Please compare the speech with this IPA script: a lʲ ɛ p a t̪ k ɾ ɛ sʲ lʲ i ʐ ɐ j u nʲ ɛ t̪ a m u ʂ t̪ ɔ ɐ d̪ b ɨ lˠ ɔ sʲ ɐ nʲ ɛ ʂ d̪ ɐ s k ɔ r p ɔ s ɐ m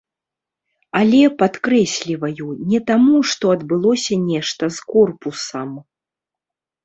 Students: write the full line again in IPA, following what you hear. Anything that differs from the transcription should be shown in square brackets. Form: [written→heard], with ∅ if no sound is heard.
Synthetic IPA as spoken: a lʲ ɛ p a t̪ k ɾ ɛ sʲ lʲ i [ʐ→v] ɐ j u nʲ ɛ t̪ a m u ʂ t̪ ɔ ɐ d̪ b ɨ lˠ ɔ sʲ ɐ nʲ ɛ ʂ [d̪→t̪] ɐ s k ɔ r p [ɔ→u] s ɐ m